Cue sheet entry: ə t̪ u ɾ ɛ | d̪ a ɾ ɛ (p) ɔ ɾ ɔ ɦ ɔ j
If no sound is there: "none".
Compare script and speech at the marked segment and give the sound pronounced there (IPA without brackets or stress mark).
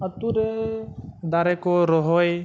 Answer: k